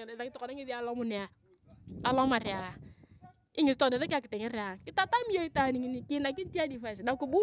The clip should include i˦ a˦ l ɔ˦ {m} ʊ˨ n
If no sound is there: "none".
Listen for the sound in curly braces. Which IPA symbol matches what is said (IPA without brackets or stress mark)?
m